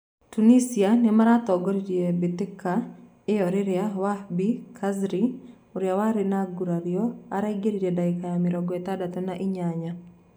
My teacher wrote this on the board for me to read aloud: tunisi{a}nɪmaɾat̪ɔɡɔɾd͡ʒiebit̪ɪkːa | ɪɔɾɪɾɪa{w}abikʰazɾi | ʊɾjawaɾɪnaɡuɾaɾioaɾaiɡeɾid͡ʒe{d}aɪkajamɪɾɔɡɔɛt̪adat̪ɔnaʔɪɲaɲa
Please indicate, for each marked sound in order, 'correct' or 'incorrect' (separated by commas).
correct, correct, correct